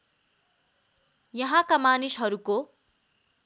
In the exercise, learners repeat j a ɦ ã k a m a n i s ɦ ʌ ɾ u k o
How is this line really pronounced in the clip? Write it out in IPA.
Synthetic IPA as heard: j ʌ ɦ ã k a m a n i s ɦ ʌ ɾ u k o